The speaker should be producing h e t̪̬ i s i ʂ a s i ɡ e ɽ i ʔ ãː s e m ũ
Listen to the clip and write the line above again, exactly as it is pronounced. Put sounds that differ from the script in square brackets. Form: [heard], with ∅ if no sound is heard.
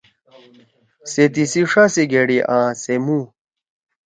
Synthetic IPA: [s] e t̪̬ i s i ʂ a s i ɡ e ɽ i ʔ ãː s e m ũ